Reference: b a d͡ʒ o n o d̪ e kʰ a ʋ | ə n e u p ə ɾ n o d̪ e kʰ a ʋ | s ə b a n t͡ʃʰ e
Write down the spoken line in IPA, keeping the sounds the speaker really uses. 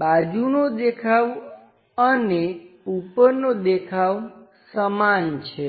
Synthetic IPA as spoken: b a d͡ʒ u n o d̪ e kʰ a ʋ | ə n e u p ə ɾ n o d̪ e kʰ a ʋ | s ə m a n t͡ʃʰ e